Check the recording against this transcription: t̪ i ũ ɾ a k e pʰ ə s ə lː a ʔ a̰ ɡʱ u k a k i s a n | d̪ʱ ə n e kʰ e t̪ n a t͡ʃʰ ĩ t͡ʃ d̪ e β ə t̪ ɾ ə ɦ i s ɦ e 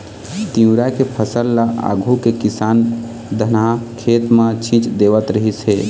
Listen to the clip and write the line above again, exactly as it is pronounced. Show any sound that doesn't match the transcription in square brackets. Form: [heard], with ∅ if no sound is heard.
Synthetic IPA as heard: t̪ i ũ ɾ a k e pʰ ə s ə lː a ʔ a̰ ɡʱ u k [e] k i s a n | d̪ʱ ə n [a] kʰ e t̪ [m] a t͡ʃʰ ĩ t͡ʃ d̪ e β ə t̪ ɾ ə ɦ i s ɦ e